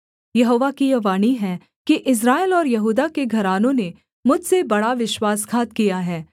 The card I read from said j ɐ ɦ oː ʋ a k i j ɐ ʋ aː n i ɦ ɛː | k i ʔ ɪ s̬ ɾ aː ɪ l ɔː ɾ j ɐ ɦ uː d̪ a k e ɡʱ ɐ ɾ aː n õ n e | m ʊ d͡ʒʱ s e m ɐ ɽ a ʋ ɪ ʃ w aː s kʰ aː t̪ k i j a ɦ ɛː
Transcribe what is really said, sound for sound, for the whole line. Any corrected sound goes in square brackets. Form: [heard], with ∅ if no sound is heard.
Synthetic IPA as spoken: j ɐ ɦ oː ʋ a k i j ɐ ʋ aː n i ɦ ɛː | k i ʔ ɪ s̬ ɾ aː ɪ l ɔː ɾ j ɐ ɦ uː d̪ a k e ɡʱ ɐ ɾ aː n õ n e | m ʊ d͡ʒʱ s e [b] ɐ ɽ a ʋ ɪ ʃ w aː s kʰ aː t̪ k i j a ɦ ɛː